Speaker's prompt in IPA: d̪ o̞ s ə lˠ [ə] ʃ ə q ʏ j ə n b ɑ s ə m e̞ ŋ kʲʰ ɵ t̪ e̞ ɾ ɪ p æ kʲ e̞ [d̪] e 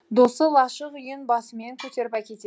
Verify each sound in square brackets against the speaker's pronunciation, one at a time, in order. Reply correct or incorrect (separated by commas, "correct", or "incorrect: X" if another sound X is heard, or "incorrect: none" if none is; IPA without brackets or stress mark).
incorrect: ɑ, incorrect: t̪